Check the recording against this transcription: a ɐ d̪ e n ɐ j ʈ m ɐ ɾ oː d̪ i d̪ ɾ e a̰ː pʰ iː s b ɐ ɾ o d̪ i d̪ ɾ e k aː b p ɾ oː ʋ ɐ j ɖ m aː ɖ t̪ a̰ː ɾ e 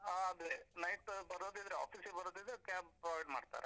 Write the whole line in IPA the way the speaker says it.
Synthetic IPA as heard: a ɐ d̪ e n ɐ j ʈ b ɐ ɾ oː d̪ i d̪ ɾ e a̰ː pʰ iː s b ɐ ɾ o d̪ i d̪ ɾ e k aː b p ɾ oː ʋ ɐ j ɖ m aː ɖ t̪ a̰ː ɾ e

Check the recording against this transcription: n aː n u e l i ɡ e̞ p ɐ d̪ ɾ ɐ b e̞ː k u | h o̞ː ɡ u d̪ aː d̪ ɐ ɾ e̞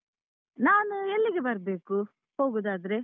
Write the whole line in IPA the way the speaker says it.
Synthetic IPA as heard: n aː n u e lː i ɡ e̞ b ɐ ɾ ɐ b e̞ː k u | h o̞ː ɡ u d̪ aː d̪ ɐ ɾ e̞

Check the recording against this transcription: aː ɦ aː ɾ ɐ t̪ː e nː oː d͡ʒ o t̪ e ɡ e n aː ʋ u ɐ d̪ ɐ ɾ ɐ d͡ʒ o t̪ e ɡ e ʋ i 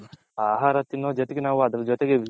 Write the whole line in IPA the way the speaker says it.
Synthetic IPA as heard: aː ɦ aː ɾ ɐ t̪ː i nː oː d͡ʒ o t̪ e ɡ e n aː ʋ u ɐ d̪ ɐ ɾ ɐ d͡ʒ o t̪ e ɡ e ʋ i

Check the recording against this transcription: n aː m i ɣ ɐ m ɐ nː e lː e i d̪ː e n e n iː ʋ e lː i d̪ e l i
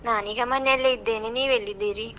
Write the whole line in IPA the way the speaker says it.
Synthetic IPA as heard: n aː n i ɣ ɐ m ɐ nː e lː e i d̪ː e n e n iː ʋ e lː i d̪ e ɾ i

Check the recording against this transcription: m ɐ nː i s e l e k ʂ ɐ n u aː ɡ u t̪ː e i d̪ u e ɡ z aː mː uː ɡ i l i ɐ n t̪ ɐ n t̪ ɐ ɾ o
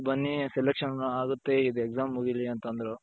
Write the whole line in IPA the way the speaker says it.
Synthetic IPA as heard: b ɐ nː i s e l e k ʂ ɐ n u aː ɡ u t̪ː e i d̪ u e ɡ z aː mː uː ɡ i l i ɐ n t̪ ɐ n d̪ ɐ ɾ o

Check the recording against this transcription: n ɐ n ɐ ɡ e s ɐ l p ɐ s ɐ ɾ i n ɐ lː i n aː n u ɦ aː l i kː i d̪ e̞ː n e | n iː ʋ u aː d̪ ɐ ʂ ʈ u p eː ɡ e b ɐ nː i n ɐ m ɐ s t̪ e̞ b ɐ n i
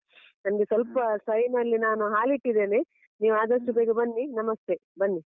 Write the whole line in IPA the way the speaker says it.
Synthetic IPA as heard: n ɐ n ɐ ɡ e s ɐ l p ɐ s ɐ ɾ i n ɐ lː i n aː n u ɦ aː l i ʈː i d̪ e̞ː n e | n iː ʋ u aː d̪ ɐ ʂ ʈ u b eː ɡ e b ɐ nː i n ɐ m ɐ s t̪ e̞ b ɐ nː i

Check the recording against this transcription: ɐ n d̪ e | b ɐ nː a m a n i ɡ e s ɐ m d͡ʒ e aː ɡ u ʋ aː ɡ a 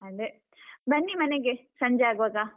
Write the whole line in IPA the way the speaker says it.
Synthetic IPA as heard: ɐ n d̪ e | b ɐ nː i m ɐ n e ɡ e s ɐ ɲ d͡ʒ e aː ɡ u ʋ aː ɡ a

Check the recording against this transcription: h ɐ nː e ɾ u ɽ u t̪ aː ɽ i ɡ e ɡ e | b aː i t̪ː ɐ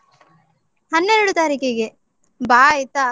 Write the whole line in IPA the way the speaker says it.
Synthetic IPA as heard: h ɐ nː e ɾ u ɽ u t̪ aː ɾ i k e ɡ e | b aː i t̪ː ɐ

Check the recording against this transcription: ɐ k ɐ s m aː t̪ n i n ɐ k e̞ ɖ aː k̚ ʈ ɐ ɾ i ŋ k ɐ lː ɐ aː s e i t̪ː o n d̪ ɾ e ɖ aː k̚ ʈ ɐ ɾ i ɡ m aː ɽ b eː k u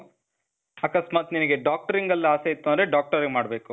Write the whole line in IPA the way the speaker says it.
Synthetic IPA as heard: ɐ k ɐ s m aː t̪ n i n ɐ ɡ e̞ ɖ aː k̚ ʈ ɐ ɾ i ŋ ɡ ɐ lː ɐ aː s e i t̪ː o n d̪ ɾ e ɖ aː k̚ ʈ ɐ ɾ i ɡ m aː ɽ b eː k u

